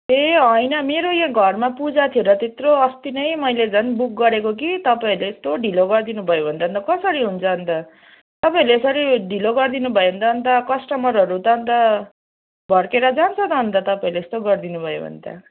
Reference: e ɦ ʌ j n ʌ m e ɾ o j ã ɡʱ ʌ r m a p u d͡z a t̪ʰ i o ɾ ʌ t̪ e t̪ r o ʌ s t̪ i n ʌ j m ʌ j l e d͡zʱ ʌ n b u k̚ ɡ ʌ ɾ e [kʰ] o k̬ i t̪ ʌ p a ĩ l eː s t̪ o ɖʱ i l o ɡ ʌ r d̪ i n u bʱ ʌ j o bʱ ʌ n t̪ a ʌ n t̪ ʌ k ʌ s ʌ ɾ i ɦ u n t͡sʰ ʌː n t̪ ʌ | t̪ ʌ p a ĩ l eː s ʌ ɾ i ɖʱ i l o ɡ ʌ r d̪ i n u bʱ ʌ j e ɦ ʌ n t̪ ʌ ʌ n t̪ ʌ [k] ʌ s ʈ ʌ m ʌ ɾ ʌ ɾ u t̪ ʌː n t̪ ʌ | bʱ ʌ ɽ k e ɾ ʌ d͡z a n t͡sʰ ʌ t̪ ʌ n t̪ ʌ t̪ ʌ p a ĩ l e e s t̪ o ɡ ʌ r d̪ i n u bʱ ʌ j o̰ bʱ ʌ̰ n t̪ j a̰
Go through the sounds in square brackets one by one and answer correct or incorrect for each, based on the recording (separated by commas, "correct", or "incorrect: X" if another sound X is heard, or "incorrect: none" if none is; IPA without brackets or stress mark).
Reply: incorrect: k, correct